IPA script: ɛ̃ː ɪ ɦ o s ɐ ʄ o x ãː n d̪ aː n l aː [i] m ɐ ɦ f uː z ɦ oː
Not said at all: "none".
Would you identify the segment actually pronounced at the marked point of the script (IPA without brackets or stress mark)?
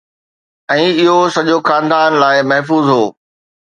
ɪ